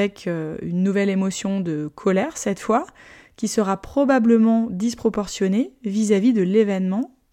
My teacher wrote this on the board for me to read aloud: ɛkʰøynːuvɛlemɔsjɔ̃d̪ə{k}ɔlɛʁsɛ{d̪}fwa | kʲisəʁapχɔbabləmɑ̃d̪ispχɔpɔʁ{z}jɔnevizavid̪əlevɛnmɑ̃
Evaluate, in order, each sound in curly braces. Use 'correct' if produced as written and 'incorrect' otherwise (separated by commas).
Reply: incorrect, incorrect, incorrect